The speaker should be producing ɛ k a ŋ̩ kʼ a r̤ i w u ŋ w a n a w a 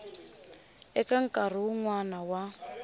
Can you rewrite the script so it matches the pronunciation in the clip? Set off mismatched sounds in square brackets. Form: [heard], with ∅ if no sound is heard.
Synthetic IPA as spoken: ɛ k a ŋ̩ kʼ a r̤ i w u ŋ w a n a w a